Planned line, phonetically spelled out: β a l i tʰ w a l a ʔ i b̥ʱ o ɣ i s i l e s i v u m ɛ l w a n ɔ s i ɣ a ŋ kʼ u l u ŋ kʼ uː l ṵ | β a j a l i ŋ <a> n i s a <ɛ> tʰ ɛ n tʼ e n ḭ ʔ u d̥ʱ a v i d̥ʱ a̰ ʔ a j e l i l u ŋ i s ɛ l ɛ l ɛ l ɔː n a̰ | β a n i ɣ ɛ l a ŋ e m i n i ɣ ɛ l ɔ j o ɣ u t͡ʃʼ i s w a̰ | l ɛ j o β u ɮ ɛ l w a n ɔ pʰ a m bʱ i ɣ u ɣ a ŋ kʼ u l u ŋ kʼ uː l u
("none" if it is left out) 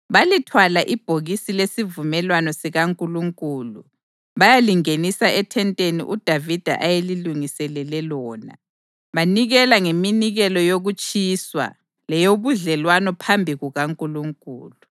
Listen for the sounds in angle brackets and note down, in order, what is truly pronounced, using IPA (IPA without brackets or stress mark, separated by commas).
e, ɛ